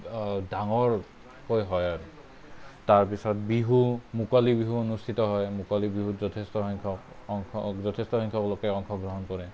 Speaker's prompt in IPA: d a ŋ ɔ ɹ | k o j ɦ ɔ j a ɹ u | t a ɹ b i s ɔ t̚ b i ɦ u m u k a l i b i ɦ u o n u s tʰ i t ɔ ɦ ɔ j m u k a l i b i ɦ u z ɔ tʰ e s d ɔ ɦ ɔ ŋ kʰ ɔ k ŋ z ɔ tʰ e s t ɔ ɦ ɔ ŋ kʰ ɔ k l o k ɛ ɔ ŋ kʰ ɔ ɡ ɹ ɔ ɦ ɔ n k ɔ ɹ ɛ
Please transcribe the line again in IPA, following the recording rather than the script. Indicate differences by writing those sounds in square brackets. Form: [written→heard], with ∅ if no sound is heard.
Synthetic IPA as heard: d a ŋ ɔ ɹ | k o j ɦ ɔ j a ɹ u | t a ɹ [b→p] i s ɔ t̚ b i ɦ u m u k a l i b i ɦ u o n u s tʰ i t ɔ ɦ ɔ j m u k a l i b i ɦ u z ɔ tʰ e s [d→t] ɔ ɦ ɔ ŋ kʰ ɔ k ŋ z ɔ tʰ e s t ɔ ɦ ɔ ŋ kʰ ɔ k l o k ɛ ɔ ŋ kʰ ɔ ɡ ɹ ɔ ɦ ɔ n k ɔ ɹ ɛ

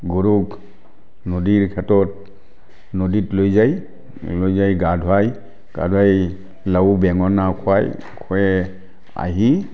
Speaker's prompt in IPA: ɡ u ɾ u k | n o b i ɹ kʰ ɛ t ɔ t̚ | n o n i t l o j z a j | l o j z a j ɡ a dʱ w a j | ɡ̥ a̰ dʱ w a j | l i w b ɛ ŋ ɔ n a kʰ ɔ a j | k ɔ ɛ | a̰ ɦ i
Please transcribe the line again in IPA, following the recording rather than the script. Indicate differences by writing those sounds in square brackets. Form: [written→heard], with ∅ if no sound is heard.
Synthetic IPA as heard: ɡ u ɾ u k | n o [b→d] i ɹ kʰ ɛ t ɔ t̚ | n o [n→d] i t l o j z a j | l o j z a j ɡ a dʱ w a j | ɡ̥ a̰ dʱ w a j | l [i→a] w b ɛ ŋ ɔ n a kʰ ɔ a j | [k→kʰ] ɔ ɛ | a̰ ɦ i

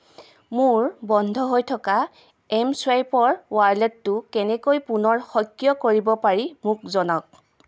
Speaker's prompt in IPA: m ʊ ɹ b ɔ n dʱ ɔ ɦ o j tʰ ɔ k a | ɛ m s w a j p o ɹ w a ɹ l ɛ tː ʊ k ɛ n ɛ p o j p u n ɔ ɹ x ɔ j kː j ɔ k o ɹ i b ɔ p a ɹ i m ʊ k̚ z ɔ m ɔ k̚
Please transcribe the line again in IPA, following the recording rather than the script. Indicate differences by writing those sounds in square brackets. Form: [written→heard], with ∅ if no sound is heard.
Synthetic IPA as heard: m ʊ ɹ b ɔ n dʱ ɔ ɦ o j tʰ ɔ k a | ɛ m s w a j p [o→ɔ] ɹ w a ɹ l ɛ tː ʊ k ɛ n ɛ [p→k] o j p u n ɔ ɹ x ɔ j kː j ɔ k o ɹ i b ɔ p a ɹ i m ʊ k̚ z ɔ [m→n] ɔ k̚

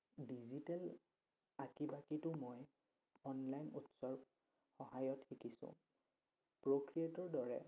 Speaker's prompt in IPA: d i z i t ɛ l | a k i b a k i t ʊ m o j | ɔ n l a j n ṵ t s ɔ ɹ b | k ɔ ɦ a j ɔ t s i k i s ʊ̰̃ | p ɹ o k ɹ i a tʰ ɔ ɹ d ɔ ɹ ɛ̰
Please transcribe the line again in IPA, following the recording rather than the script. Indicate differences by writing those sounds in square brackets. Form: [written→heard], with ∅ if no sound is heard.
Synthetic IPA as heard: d i z i t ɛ l | a k i b a k i t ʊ m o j | ɔ n l a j n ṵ t s ɔ ɹ b | [k→x] ɔ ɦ a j ɔ t [s→x] i k i s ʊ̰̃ | p ɹ o k ɹ i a [tʰ→t] ɔ ɹ d ɔ ɹ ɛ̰

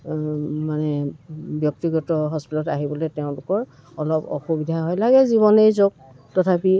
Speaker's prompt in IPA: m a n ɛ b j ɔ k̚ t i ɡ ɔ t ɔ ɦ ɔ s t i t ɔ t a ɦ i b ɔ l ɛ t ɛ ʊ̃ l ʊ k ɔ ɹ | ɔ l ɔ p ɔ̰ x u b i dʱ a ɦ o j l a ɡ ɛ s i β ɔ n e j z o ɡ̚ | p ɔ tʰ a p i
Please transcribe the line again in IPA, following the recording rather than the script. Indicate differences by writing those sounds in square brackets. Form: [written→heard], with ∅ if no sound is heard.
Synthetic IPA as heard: m a n ɛ b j ɔ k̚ t i ɡ ɔ t ɔ ɦ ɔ s [t→p] i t ɔ t a ɦ i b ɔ l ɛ t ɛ ʊ̃ l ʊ k ɔ ɹ | ɔ l ɔ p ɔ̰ x u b i dʱ a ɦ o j l a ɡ ɛ [s→z] i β ɔ n e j z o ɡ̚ | [p→t] ɔ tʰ a p i

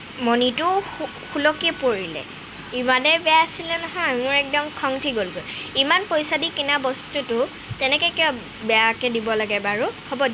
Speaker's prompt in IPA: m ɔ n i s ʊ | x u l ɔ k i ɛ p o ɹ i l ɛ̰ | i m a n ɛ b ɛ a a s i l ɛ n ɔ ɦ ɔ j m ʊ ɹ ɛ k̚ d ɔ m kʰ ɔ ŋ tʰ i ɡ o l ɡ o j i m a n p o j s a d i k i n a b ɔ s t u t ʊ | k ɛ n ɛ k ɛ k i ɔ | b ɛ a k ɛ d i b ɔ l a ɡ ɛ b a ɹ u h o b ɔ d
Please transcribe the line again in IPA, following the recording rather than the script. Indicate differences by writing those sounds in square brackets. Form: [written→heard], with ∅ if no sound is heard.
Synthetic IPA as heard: m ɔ n i [s→t] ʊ | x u l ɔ k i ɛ p o ɹ i l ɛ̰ | i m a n ɛ b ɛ a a s i l ɛ n ɔ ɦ ɔ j m ʊ ɹ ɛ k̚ d ɔ m kʰ ɔ ŋ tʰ i ɡ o l ɡ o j i m a n p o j s a d i k i n a b ɔ s t u t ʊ | [k→t] ɛ n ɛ k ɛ k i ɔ | b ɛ a k ɛ d i b ɔ l a ɡ ɛ b a ɹ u h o b ɔ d

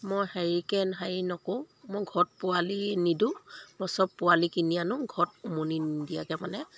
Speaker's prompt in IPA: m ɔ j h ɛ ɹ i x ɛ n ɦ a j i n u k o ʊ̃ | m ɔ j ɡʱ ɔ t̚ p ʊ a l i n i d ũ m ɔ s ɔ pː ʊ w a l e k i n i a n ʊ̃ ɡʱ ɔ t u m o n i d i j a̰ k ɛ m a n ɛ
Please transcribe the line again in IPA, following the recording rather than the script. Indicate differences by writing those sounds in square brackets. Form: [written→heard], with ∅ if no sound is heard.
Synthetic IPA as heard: m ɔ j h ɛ ɹ i [x→k] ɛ n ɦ a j i n [u→ɔ] k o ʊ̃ | m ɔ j ɡʱ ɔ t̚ p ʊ a l i n i d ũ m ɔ s ɔ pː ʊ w a l [e→i] k i n i a n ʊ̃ ɡʱ ɔ t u m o n i d i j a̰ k ɛ m a n ɛ

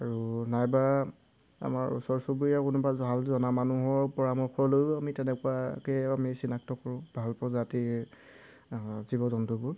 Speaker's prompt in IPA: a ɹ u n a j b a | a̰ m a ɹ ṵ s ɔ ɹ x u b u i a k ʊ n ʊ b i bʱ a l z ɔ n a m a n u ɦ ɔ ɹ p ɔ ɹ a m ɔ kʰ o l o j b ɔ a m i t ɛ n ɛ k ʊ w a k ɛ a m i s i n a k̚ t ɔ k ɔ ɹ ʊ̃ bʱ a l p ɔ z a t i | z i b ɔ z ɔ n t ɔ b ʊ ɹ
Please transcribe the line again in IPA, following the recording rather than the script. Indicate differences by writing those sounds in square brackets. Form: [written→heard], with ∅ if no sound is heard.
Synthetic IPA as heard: a ɹ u n a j b a | a̰ m a ɹ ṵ s ɔ ɹ [x→s] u b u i a k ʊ n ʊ b [i→a] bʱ a l z ɔ n a m a n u ɦ ɔ ɹ p ɔ ɹ a m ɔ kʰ [o→ɔ] l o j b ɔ a m i t ɛ n ɛ k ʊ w a k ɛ a m i s i n a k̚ t ɔ k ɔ ɹ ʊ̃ bʱ a l p ɔ z a t i | z i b ɔ z ɔ n t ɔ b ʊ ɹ

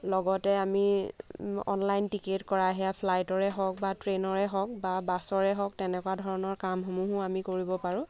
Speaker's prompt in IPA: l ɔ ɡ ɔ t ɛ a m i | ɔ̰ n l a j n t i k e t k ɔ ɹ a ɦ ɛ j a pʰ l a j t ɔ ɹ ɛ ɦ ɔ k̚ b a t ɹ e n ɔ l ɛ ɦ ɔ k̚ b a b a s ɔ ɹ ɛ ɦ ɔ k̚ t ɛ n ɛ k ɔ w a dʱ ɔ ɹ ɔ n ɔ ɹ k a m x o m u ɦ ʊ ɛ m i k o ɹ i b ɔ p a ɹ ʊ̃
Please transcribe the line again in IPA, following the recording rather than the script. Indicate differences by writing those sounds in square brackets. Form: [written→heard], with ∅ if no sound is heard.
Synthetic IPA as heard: l ɔ ɡ ɔ t ɛ a m i | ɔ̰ n l a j n t i k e t k ɔ ɹ a ɦ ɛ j a pʰ l a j t ɔ ɹ ɛ ɦ ɔ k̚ b a t ɹ e n ɔ [l→ɹ] ɛ ɦ ɔ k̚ b a b a s ɔ ɹ ɛ ɦ ɔ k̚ t ɛ n ɛ k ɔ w a dʱ ɔ ɹ ɔ n ɔ ɹ k a m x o m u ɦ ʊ [ɛ→a] m i k o ɹ i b ɔ p a ɹ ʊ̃

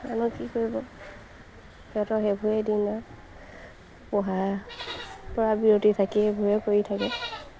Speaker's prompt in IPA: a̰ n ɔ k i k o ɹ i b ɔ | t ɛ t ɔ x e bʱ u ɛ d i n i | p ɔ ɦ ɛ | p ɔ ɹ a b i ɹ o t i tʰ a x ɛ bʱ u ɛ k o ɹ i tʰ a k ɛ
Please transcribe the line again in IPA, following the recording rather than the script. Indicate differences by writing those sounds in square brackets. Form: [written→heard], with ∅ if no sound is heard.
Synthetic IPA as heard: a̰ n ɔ k i k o ɹ i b ɔ | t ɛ t ɔ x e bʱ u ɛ d i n [i→a] | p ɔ ɦ [ɛ→a] | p ɔ ɹ a b i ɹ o t i tʰ a [x→k] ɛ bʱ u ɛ k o ɹ i tʰ a k ɛ

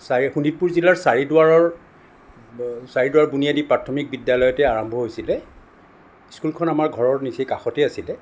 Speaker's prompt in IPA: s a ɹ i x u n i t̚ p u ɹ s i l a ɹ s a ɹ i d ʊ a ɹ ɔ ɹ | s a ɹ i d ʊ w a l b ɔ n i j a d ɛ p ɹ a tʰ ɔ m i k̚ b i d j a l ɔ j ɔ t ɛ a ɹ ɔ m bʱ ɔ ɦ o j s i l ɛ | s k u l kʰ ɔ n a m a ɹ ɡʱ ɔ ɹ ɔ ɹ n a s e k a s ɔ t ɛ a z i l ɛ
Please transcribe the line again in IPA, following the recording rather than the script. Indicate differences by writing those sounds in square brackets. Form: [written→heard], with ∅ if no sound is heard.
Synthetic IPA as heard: s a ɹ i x u n i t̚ p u ɹ [s→z] i l a ɹ s a ɹ i d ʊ a ɹ ɔ ɹ | s a ɹ i d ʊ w a [l→ɹ] b [ɔ→u] n i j a d [ɛ→i] p ɹ a tʰ ɔ m i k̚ b i d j a l ɔ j ɔ t ɛ a ɹ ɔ m bʱ ɔ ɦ o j s i l ɛ | s k u l kʰ ɔ n a m a ɹ ɡʱ ɔ ɹ ɔ ɹ n [a→i] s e k a [s→x] ɔ t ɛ a [z→s] i l ɛ

